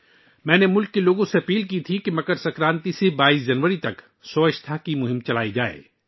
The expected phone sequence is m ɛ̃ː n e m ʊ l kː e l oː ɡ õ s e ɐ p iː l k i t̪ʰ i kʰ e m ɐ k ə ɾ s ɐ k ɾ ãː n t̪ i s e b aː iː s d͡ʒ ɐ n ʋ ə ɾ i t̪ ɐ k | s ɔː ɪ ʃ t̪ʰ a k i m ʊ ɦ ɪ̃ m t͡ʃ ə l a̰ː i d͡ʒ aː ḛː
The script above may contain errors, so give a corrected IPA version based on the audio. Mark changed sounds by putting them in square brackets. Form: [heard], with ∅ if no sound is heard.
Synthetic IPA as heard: m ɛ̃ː n e m ʊ l kː e l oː ɡ õ s e ɐ p iː l k i t̪ʰ i [k] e m ɐ k ə ɾ s ɐ k ɾ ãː n t̪ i s e b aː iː s d͡ʒ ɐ n ʋ ə ɾ i t̪ ɐ k | s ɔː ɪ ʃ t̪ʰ a k i m ʊ ɦ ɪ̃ m t͡ʃ [ɐ] l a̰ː i d͡ʒ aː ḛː